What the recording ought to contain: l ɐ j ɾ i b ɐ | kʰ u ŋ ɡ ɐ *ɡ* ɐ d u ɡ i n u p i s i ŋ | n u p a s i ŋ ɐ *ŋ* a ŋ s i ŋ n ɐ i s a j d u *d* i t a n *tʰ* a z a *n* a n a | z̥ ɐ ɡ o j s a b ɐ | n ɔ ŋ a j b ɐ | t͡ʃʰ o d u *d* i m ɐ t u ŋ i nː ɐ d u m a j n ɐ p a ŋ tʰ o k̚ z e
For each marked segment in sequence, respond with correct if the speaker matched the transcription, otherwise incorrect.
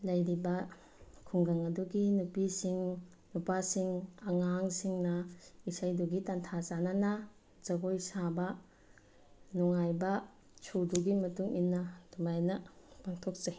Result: incorrect, correct, incorrect, correct, correct, incorrect

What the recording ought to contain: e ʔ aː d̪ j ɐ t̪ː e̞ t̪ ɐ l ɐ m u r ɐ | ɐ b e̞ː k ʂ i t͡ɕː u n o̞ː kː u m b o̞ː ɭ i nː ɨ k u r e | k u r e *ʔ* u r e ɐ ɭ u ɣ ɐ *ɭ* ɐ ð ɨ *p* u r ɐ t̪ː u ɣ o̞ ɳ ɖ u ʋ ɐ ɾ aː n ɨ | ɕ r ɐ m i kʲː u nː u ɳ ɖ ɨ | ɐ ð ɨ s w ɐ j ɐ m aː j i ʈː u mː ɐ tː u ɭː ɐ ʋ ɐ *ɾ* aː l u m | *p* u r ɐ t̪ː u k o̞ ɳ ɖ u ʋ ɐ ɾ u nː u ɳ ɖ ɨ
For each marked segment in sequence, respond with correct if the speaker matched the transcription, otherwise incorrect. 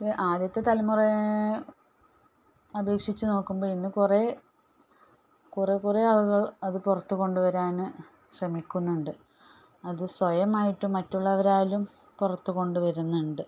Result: incorrect, correct, correct, correct, correct

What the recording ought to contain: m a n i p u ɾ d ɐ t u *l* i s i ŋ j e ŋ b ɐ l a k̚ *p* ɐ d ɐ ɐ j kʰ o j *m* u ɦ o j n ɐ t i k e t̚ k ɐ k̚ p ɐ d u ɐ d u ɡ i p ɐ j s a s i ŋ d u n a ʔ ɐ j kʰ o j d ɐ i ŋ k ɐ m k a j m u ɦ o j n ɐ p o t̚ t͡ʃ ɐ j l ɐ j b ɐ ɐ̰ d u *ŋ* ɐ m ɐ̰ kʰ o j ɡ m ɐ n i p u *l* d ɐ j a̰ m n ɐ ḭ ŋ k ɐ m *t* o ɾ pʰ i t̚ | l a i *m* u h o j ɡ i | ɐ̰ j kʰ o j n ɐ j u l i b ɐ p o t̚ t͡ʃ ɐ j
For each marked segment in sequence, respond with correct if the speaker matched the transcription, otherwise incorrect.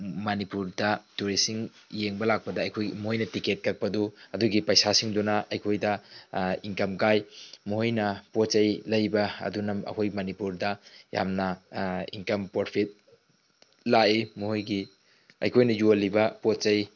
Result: incorrect, correct, correct, incorrect, incorrect, incorrect, correct

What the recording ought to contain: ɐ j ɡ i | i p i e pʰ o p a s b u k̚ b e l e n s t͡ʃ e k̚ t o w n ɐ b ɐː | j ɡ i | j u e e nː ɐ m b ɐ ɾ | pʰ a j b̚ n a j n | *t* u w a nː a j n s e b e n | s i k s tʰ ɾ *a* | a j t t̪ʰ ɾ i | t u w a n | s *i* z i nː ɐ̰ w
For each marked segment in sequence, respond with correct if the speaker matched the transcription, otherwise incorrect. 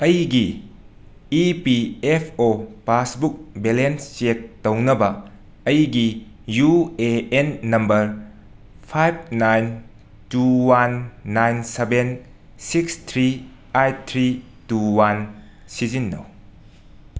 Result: correct, incorrect, correct

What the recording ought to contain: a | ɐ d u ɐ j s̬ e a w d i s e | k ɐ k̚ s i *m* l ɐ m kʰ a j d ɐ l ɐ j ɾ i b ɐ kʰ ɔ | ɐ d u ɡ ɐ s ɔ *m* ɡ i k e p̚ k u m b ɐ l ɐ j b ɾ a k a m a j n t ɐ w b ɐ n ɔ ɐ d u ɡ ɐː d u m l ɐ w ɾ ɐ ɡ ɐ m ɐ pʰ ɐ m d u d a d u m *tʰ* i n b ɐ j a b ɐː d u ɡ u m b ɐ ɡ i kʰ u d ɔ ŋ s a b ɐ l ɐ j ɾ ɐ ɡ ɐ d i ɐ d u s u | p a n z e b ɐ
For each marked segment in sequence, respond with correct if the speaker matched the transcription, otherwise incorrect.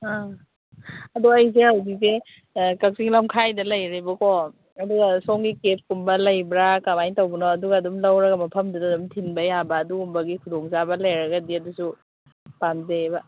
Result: incorrect, incorrect, correct

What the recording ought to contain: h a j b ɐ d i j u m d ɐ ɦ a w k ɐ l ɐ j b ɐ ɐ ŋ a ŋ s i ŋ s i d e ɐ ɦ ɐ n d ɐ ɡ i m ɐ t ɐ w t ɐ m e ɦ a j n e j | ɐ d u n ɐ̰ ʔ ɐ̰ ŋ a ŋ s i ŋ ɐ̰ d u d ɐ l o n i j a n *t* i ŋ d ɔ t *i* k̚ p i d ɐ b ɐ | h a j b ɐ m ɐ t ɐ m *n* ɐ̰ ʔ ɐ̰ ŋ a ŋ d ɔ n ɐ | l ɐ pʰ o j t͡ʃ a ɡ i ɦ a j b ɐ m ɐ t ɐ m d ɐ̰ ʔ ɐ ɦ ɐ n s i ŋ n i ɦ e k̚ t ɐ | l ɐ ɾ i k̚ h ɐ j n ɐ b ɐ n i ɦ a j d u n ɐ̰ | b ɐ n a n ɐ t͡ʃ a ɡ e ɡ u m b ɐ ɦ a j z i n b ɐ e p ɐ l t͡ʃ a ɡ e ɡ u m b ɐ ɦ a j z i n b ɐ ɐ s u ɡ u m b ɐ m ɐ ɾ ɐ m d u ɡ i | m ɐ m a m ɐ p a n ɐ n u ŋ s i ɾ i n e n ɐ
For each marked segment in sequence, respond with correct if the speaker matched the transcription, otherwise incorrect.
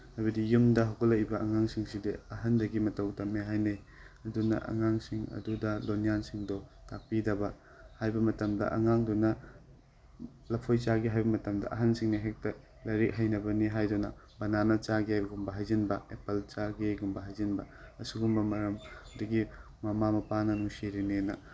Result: incorrect, incorrect, incorrect

